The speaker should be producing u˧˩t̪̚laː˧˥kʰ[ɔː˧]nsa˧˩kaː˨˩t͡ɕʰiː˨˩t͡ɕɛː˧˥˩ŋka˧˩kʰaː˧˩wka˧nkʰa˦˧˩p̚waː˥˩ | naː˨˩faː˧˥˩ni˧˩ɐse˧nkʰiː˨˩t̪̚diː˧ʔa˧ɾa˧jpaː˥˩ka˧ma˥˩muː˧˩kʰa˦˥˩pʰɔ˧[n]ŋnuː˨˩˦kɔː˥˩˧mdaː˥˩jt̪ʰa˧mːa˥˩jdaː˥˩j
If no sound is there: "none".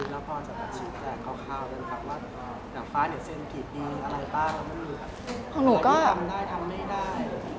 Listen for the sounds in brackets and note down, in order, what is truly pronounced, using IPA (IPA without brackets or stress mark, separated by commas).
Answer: ɔː˧, none